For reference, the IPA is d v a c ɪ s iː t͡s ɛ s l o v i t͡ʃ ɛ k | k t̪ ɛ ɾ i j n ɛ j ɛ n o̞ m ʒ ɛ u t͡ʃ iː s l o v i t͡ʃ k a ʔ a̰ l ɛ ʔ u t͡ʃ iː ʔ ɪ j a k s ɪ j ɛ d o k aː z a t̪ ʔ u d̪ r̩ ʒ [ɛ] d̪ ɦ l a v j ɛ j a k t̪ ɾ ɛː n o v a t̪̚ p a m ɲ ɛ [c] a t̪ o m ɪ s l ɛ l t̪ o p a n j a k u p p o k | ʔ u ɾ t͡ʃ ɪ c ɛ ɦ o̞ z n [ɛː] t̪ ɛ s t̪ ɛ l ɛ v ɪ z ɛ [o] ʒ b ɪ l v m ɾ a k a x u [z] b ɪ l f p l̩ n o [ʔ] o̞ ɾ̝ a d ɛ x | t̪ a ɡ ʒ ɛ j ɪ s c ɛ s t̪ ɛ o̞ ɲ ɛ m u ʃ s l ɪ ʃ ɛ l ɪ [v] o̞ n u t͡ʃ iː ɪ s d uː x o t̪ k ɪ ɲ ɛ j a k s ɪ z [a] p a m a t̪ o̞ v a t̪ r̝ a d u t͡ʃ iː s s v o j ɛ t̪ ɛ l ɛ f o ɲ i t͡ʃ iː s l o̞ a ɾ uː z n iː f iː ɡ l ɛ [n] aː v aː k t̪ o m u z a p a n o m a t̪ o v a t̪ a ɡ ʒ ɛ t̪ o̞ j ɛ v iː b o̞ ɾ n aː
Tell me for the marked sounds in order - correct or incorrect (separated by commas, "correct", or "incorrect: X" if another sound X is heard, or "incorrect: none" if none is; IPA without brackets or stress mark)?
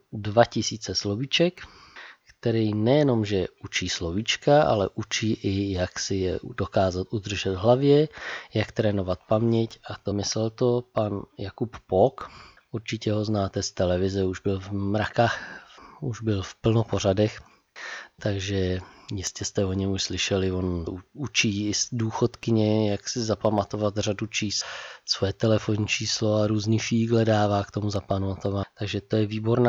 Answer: correct, correct, incorrect: aː, incorrect: u, incorrect: ʒ, incorrect: p, correct, correct, incorrect: d